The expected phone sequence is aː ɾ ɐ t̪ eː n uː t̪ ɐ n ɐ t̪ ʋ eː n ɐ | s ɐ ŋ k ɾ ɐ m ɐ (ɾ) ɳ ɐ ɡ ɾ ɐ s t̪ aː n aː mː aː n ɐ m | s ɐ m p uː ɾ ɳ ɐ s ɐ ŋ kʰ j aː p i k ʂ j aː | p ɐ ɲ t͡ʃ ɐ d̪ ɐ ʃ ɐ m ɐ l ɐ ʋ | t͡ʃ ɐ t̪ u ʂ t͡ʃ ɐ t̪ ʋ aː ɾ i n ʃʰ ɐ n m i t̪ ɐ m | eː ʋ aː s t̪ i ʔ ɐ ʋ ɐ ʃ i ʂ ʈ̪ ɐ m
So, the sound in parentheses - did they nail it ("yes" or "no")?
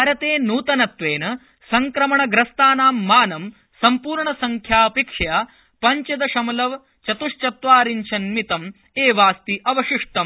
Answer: no